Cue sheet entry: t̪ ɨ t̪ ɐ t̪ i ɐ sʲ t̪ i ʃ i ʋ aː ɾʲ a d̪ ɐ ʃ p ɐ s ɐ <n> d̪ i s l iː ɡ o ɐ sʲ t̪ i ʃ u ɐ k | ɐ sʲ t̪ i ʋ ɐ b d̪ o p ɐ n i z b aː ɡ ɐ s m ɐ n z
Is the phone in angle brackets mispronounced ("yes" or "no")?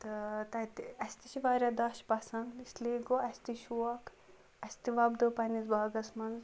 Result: no